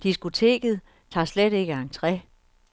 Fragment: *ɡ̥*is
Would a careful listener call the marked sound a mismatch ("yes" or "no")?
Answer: yes